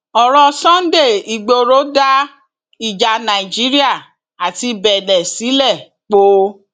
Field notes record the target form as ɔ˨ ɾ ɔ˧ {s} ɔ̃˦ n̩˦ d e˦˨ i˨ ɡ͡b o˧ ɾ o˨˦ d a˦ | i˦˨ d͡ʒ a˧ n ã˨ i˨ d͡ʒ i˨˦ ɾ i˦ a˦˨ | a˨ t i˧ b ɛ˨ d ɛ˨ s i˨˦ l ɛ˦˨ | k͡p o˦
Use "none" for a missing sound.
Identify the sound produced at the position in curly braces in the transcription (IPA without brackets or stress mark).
s